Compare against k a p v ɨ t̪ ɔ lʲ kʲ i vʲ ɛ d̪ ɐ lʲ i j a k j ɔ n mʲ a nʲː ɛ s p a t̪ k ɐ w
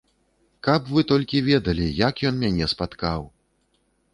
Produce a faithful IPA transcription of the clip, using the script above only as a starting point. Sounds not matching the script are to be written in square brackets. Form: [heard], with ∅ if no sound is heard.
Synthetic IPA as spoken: k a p v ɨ t̪ ɔ lʲ kʲ i vʲ ɛ d̪ ɐ lʲ i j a k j ɔ n mʲ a [nʲ] ɛ s p a t̪ k [a] w